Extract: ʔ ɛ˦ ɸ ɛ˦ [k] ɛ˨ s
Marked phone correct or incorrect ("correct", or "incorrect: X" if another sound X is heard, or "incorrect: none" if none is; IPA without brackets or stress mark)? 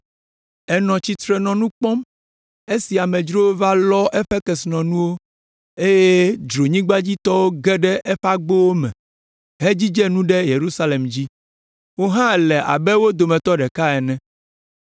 correct